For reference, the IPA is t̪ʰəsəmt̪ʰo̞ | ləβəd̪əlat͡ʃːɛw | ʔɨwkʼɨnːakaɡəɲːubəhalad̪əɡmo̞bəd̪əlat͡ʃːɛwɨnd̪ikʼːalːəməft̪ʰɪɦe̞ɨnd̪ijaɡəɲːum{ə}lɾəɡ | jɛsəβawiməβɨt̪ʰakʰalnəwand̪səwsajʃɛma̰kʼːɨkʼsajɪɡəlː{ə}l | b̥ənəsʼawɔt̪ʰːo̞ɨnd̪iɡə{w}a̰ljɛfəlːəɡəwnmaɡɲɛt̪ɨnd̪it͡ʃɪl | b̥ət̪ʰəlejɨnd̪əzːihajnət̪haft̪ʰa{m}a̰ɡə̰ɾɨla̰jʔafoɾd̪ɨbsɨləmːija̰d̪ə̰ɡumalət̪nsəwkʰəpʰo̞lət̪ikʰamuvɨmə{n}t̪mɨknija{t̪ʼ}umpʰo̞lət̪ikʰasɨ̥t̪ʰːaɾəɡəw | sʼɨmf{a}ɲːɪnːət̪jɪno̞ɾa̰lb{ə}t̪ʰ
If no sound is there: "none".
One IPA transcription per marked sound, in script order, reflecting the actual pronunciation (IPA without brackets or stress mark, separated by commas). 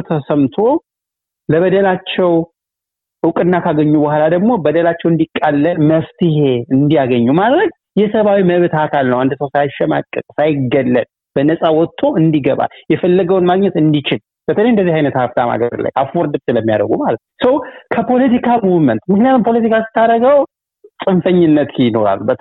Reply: a, ə, β, m, n, t̪, ə, ə